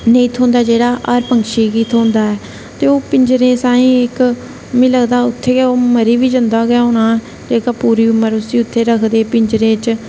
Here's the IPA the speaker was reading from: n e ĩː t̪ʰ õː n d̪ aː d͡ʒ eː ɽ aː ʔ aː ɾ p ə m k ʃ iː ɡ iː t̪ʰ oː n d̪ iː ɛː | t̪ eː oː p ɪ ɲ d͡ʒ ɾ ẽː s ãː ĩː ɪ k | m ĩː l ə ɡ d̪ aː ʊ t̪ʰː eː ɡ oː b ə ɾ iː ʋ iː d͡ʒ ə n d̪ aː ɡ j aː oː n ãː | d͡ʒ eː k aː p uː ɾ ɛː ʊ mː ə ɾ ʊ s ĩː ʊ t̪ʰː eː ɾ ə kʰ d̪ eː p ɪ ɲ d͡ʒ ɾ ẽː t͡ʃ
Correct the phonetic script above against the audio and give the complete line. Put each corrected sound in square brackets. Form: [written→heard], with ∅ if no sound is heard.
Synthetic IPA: n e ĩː t̪ʰ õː n d̪ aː d͡ʒ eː ɽ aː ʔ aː ɾ p ə [m→ŋ] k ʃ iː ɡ iː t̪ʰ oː n d̪ [iː→aː] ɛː | t̪ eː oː p ɪ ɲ d͡ʒ ɾ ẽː s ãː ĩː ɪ k | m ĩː l ə ɡ d̪ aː ʊ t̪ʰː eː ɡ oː [b→m] ə ɾ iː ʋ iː d͡ʒ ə n d̪ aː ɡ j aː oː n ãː | d͡ʒ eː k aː p uː ɾ [ɛː→iː] ʊ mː ə ɾ ʊ s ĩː ʊ t̪ʰː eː ɾ ə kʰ d̪ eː p ɪ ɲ d͡ʒ ɾ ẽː t͡ʃ